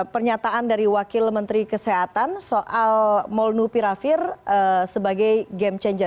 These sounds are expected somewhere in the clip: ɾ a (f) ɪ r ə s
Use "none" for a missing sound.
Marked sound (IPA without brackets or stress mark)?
f